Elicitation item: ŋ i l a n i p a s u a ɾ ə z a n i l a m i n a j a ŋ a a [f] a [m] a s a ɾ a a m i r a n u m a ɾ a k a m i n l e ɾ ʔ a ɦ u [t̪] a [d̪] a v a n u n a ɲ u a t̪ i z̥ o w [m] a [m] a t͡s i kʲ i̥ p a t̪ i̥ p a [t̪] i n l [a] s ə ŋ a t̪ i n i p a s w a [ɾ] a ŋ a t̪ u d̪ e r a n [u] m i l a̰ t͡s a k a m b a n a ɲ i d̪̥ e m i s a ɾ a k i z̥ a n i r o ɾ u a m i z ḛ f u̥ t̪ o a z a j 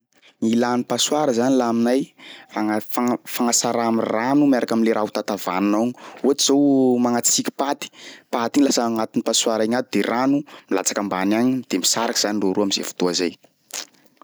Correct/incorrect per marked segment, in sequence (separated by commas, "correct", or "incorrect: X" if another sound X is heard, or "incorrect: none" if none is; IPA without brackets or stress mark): correct, incorrect: ŋ, correct, incorrect: t̪, correct, incorrect: ŋ, correct, correct, correct, correct